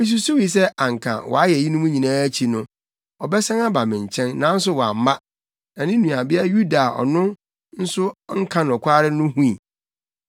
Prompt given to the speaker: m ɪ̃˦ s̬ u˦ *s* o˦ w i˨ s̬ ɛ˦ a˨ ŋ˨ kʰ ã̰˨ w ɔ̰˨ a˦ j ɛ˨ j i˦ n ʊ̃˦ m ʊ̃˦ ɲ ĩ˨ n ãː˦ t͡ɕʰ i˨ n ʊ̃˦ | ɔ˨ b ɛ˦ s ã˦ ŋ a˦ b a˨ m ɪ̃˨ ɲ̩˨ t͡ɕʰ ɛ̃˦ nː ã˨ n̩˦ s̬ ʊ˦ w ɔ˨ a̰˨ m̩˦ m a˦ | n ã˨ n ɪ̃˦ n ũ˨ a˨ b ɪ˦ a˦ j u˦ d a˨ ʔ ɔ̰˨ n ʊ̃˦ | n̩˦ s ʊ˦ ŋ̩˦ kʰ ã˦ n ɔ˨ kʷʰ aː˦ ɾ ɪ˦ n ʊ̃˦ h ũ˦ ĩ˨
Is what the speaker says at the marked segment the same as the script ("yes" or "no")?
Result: yes